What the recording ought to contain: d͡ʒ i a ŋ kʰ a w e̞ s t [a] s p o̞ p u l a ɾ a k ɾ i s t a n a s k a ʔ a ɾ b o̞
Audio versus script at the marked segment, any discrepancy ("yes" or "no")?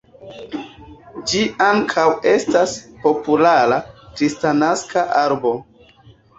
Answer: no